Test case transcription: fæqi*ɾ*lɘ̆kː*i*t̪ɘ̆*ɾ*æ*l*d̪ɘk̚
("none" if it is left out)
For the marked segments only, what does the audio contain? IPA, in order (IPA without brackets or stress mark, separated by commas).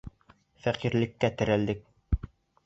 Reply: ɾ, æ, ɾ, l